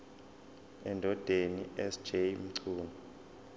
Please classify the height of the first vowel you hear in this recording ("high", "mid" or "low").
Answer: mid